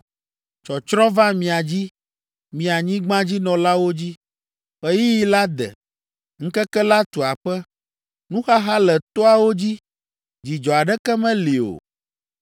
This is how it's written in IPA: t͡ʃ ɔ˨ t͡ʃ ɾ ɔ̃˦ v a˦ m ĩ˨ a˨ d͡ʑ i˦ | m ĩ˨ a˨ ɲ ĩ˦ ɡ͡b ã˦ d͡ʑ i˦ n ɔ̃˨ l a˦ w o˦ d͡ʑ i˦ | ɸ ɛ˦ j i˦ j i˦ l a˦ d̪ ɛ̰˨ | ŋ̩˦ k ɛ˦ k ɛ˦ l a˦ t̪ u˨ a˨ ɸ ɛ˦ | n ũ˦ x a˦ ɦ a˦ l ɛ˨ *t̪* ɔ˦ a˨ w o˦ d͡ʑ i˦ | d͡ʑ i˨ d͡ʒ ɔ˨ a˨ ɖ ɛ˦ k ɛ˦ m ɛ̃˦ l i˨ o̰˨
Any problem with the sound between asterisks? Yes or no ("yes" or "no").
no